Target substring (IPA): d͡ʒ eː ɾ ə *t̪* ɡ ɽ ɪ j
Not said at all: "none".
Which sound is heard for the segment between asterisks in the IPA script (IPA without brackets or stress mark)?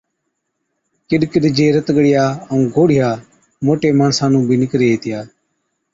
t̪